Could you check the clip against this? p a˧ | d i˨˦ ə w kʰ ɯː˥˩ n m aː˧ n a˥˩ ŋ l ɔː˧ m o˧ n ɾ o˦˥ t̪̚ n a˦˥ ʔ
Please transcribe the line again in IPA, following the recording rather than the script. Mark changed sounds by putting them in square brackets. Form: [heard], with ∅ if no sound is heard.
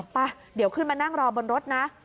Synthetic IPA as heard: p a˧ | d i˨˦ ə w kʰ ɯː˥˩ n m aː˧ n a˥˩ ŋ [ɾ] ɔː˧ [b] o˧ n ɾ o˦˥ t̪̚ n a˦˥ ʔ